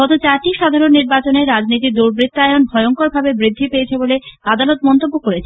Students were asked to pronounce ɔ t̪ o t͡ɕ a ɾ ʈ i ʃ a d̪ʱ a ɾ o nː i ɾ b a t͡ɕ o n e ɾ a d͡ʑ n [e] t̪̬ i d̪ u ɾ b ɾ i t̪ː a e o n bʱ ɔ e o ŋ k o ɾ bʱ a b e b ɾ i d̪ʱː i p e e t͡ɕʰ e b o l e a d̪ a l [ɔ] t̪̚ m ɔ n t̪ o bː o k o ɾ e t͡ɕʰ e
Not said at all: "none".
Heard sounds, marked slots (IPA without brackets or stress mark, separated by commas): i, o